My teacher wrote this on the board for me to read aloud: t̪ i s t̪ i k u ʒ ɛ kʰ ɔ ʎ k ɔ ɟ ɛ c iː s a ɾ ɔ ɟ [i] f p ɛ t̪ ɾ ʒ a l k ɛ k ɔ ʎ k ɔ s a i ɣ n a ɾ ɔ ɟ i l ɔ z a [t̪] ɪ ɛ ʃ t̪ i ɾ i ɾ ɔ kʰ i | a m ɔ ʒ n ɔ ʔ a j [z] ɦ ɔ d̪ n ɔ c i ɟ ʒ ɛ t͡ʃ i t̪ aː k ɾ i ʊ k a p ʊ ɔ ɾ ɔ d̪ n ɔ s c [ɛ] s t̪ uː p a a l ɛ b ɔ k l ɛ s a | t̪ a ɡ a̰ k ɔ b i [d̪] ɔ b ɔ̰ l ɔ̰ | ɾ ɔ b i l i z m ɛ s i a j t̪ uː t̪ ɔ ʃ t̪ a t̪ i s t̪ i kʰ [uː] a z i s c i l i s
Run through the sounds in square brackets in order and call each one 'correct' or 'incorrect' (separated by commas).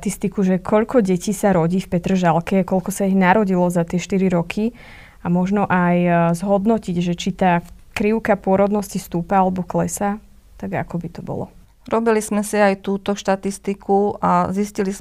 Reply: incorrect, correct, correct, incorrect, incorrect, incorrect